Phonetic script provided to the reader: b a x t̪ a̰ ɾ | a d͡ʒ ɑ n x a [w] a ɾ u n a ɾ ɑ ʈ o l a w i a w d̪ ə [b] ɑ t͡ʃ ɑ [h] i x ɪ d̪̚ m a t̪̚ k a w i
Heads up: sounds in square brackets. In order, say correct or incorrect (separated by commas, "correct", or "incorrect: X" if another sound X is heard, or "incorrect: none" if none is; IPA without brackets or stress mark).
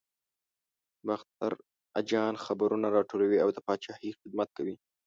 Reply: incorrect: b, incorrect: p, correct